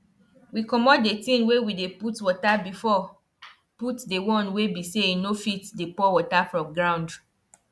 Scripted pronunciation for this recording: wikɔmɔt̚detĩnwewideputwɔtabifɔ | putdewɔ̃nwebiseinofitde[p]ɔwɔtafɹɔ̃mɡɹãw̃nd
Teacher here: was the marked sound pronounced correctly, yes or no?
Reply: yes